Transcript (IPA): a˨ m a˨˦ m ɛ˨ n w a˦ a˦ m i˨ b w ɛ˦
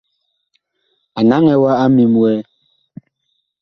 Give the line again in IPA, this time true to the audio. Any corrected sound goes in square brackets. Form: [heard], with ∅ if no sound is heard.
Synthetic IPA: a˨ [n] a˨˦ [ŋ] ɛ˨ [∅] w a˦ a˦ m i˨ [m] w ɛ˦

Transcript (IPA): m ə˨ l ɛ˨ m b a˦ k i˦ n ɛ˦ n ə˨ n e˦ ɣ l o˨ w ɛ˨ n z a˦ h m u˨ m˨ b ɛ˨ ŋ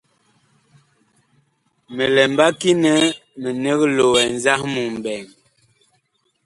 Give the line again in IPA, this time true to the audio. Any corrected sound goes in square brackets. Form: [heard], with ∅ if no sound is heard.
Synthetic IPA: m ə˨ l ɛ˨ m b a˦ k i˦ n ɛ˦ [m] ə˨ n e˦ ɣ l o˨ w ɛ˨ n z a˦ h m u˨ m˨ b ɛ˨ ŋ

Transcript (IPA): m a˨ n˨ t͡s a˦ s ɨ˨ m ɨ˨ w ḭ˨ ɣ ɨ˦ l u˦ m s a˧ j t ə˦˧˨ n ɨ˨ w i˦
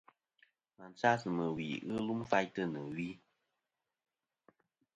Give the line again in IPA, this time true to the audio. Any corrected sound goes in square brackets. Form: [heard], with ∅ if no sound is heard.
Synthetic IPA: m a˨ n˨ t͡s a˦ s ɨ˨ m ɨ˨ w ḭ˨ ɣ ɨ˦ l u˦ m [f] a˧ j t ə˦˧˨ n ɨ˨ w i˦

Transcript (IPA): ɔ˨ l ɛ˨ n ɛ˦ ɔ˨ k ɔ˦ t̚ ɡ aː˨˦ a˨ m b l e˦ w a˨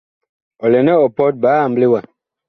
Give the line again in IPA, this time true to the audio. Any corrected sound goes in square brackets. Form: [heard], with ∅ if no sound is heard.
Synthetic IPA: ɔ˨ l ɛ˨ n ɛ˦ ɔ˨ [p] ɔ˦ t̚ [b] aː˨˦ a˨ m b l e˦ w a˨

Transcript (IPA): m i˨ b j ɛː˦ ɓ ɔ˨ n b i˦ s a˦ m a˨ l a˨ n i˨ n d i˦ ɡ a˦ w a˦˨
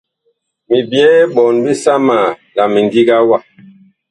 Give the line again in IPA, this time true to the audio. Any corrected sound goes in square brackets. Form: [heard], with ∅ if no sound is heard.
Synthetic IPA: m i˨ b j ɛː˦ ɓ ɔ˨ n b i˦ s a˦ m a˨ l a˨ [m] i˨ n d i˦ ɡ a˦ w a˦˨

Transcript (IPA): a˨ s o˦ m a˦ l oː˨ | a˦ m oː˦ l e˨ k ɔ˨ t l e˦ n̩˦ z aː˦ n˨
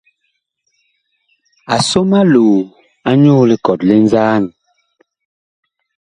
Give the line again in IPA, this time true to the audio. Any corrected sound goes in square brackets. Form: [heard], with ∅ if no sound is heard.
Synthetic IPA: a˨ s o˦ m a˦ l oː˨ | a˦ [ɲ] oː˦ l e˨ k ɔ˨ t l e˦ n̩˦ z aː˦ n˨

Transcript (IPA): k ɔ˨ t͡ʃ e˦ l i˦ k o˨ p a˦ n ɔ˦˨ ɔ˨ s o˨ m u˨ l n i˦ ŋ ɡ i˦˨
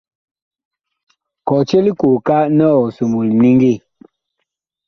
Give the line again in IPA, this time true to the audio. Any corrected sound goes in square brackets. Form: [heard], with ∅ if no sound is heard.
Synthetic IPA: k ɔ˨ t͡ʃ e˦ l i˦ k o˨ [k] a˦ n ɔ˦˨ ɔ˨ s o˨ m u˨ l n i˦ ŋ ɡ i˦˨

